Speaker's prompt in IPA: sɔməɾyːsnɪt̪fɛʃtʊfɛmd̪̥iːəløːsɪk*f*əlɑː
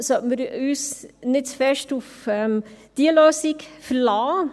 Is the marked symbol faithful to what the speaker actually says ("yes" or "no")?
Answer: yes